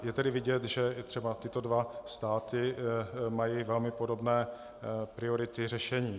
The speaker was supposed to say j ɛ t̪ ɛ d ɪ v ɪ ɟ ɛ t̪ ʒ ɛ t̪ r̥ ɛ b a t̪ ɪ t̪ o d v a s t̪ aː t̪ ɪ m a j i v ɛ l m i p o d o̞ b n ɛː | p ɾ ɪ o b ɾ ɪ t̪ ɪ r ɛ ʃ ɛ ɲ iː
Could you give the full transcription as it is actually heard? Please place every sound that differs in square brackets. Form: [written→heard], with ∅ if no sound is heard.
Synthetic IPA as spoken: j ɛ t̪ ɛ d ɪ v ɪ ɟ ɛ t̪ ʒ ɛ t̪ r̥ ɛ b a t̪ ɪ t̪ o d v a s t̪ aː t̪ ɪ m a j i v ɛ l m [i→ɪ] p o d o̞ b n ɛː | p ɾ ɪ o [b→∅] ɾ ɪ t̪ ɪ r ɛ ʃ ɛ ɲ iː